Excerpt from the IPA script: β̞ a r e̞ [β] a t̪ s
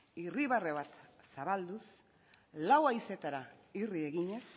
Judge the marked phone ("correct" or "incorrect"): correct